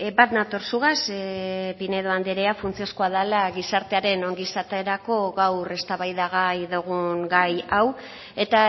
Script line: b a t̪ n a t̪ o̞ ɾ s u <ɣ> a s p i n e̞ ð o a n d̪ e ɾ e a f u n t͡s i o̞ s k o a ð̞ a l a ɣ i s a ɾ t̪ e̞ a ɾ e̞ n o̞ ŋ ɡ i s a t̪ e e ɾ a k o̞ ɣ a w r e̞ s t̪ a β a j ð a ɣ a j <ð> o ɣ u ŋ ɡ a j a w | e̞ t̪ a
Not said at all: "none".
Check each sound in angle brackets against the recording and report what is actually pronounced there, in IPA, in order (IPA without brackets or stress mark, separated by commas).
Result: ɣ, ð